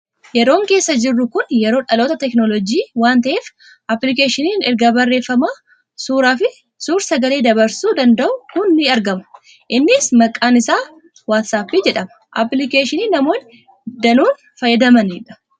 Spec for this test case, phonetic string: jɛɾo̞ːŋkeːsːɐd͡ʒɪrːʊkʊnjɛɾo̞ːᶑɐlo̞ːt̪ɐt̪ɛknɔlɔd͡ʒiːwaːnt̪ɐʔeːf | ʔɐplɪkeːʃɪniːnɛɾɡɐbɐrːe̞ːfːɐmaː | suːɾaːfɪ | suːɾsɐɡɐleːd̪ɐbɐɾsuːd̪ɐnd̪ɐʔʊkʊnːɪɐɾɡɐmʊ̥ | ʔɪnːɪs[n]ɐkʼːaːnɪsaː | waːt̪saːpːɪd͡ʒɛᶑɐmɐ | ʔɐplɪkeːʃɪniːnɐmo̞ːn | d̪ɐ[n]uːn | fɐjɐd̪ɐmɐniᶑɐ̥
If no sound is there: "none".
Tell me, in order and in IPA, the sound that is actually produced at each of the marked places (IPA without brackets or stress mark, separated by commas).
m, n